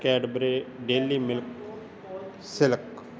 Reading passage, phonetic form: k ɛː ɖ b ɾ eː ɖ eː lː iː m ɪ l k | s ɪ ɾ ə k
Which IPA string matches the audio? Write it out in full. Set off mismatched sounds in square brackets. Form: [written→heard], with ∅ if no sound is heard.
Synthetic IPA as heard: k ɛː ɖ b ɾ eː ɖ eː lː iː m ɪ l k | s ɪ [ɾ→l] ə k